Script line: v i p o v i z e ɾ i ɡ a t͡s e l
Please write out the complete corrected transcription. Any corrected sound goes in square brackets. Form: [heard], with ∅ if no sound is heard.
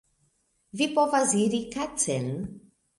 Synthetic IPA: v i p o v [a] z [i] ɾ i [k] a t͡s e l

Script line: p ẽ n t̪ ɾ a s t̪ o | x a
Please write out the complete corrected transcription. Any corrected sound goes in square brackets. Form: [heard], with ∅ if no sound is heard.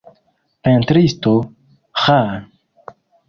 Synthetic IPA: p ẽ n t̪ ɾ [i] s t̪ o | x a

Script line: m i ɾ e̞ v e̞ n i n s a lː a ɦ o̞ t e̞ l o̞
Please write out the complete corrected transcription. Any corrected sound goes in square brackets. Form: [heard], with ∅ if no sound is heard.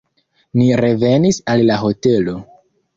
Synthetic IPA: [n] i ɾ e̞ v e̞ n i [∅] s a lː a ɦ o̞ t e̞ l o̞

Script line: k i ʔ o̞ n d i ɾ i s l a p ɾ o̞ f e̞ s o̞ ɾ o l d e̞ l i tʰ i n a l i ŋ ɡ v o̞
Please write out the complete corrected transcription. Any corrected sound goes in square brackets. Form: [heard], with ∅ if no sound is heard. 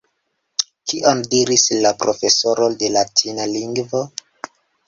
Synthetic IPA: k i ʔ o̞ n d i ɾ i s l a p ɾ o̞ f e̞ s o̞ ɾ o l d e̞ l [a] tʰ i n a l i ŋ ɡ v o̞

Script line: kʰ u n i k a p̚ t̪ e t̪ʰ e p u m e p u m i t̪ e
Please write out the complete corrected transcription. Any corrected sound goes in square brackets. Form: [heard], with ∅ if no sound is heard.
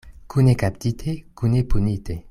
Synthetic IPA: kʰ u n [e] k a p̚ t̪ [i] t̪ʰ e [k] u [n] e p u [n] i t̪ e

